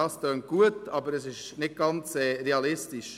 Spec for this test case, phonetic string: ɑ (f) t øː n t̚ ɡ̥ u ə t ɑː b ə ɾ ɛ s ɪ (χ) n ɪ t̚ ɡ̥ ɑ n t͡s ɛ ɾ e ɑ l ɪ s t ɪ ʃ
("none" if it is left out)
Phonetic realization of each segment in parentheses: s, ʃ

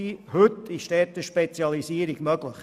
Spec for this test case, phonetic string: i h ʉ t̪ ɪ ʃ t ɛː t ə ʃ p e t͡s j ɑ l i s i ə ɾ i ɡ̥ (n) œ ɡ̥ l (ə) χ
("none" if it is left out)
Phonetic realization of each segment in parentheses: m, ə

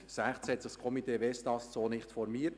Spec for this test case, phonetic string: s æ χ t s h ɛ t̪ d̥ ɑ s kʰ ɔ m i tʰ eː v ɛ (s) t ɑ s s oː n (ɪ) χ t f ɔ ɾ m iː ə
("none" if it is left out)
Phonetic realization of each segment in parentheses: s, ɪ

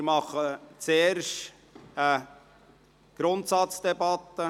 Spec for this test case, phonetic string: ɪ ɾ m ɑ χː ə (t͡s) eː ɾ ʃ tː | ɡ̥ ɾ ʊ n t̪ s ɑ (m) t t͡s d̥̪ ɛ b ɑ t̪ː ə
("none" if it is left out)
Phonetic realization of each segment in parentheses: t͡s, none

